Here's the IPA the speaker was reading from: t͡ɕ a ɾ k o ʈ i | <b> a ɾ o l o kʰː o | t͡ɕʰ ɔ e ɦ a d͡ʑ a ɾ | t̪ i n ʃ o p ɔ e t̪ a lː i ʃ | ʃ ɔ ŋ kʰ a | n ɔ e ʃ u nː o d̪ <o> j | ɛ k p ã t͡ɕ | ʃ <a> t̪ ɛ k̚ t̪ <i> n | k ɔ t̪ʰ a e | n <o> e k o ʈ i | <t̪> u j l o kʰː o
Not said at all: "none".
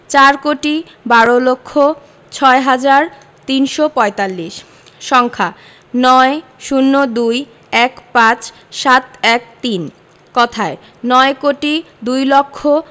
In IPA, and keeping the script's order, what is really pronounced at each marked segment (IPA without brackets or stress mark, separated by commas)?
b, u, a, i, ɔ, d̪